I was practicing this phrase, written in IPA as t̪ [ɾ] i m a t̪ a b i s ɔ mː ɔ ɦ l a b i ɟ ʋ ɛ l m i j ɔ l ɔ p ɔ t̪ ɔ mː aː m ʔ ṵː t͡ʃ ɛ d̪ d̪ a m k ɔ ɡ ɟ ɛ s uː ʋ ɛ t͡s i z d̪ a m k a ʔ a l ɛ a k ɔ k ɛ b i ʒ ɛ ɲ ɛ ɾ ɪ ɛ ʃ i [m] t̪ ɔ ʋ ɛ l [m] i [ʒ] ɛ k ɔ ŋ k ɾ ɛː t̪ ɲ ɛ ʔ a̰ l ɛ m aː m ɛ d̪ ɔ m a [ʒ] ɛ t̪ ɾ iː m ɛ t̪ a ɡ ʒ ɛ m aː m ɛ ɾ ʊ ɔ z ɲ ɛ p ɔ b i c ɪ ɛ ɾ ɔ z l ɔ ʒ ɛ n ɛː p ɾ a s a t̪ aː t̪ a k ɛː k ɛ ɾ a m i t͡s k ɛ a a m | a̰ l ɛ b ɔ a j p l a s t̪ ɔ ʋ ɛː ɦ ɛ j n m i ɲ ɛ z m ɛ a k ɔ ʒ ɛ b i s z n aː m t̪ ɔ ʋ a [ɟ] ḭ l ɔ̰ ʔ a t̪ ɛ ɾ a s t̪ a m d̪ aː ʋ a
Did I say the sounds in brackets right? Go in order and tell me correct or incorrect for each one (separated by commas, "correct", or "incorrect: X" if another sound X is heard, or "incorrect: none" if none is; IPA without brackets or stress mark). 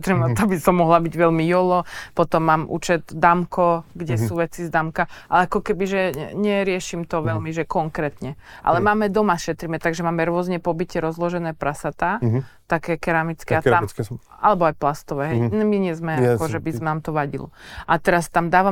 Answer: correct, correct, correct, correct, incorrect: ʃ, correct